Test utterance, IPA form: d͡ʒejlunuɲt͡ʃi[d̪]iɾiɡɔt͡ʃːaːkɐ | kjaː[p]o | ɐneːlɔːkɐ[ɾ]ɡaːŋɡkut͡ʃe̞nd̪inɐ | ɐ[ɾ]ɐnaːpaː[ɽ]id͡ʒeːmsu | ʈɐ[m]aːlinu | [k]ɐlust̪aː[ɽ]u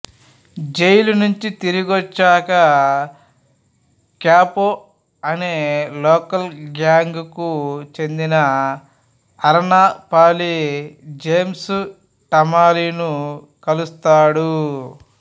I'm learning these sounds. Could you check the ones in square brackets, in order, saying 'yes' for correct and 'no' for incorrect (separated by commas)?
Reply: no, yes, no, yes, no, yes, yes, yes